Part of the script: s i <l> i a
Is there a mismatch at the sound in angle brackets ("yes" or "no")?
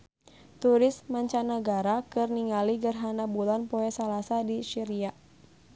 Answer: yes